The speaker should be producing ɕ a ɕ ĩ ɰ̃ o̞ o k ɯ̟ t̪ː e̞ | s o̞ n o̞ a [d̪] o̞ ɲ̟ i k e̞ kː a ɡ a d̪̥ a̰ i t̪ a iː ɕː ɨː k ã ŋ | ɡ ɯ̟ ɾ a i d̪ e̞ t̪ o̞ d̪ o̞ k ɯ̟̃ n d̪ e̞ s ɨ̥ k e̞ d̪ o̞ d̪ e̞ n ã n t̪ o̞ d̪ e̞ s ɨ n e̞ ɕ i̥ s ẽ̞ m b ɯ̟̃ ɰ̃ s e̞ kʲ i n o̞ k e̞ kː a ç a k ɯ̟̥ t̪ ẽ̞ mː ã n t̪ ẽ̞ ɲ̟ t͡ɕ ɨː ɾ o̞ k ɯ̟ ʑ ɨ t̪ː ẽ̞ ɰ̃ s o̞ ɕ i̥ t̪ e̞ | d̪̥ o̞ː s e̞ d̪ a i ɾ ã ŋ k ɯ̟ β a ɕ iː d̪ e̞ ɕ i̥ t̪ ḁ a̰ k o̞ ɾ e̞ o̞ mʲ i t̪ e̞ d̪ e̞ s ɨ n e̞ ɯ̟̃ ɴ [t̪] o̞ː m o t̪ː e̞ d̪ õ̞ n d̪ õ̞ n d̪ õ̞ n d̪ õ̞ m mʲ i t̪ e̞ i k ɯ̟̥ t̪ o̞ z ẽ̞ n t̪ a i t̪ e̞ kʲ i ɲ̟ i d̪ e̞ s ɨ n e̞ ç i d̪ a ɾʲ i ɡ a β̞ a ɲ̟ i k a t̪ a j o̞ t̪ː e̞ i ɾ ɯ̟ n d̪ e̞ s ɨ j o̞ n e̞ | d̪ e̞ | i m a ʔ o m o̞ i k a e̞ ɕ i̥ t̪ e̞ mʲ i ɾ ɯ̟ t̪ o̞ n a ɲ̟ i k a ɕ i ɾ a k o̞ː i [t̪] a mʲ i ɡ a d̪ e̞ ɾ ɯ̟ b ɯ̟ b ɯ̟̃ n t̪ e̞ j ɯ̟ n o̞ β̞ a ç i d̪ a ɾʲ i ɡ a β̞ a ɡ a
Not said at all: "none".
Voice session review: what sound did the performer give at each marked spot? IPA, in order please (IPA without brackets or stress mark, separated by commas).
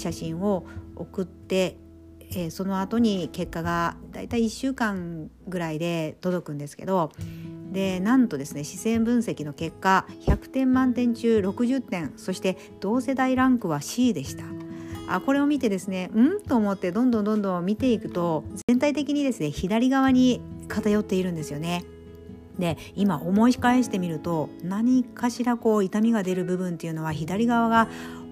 t̪, t̪, t̪